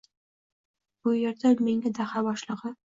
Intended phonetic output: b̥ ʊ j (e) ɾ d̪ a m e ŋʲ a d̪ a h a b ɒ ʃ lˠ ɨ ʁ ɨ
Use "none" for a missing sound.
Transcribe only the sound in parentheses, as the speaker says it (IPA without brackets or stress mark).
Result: e